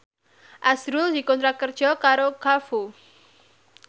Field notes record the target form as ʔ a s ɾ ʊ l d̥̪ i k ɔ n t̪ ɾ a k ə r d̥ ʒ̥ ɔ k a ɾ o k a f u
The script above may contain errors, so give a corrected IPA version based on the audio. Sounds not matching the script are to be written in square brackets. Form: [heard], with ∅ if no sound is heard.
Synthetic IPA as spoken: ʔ a s ɾ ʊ l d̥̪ i k ɔ n t̪ ɾ a k ə r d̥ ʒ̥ ɔ k a ɾ o k a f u